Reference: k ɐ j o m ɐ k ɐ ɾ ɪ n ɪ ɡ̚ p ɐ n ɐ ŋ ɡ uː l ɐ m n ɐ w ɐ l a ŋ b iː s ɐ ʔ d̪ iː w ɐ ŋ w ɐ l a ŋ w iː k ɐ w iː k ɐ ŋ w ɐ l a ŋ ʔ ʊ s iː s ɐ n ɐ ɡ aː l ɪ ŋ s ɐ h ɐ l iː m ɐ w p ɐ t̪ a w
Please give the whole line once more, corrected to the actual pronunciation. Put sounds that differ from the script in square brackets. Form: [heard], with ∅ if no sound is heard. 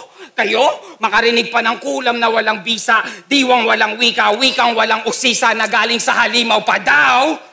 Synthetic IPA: k ɐ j o m ɐ k ɐ ɾ ɪ n ɪ ɡ̚ p ɐ n ɐ ŋ [k] uː l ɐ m n ɐ w ɐ l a ŋ b iː s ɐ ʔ d̪ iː w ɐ ŋ w ɐ l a ŋ w iː k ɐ w iː k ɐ ŋ w ɐ l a ŋ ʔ ʊ s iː s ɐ n ɐ ɡ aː l ɪ ŋ s ɐ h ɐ l iː m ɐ w p ɐ [d̪] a w

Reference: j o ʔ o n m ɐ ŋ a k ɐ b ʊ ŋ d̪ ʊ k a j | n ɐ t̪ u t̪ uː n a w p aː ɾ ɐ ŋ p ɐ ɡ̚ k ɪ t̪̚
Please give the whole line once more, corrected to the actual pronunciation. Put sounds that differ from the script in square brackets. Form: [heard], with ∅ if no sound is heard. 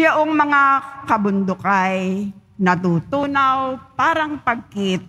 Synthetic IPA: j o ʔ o [ŋ] m ɐ ŋ a k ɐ b ʊ [n] d̪ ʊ k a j | n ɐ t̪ u t̪ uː n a w p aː ɾ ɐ ŋ p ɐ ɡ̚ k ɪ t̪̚

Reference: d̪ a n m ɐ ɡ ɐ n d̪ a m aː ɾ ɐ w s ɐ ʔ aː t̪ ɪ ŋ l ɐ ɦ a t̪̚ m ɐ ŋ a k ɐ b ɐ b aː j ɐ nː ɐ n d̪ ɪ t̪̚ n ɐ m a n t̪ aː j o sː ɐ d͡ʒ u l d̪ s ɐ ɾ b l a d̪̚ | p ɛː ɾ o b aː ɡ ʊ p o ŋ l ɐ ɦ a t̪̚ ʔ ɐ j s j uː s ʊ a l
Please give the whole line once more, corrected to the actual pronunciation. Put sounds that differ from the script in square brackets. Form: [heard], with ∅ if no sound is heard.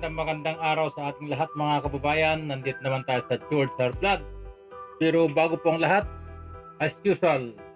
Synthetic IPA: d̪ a [ŋ] m ɐ ɡ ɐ n d̪ a [ŋ] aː ɾ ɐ w s ɐ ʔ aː t̪ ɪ ŋ l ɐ ɦ a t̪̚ m ɐ ŋ a k ɐ b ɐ b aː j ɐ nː ɐ n d̪ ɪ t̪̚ n ɐ m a n t̪ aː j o [s] ɐ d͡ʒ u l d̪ s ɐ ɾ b l a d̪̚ | p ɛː ɾ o b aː ɡ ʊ p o ŋ l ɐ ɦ a t̪̚ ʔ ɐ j s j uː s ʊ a l

